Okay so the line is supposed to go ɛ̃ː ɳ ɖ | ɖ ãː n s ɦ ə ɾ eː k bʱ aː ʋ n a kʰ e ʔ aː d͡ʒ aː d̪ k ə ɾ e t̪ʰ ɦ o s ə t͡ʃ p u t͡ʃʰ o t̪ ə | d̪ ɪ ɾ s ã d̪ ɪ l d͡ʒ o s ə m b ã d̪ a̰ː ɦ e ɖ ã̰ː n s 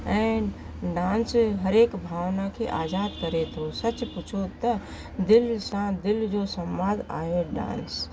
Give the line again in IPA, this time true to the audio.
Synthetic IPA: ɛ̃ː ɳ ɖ | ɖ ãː n s ɦ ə ɾ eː k bʱ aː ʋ n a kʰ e ʔ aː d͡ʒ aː d̪ k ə ɾ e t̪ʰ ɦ o s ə t͡ʃ p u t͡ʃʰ o t̪ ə | d̪ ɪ l s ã d̪ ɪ l d͡ʒ o s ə m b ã d̪ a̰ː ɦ e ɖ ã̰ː n s